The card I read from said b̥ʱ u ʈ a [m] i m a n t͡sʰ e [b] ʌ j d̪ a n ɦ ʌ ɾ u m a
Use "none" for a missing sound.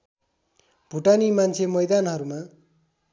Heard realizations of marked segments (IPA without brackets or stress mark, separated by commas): n, m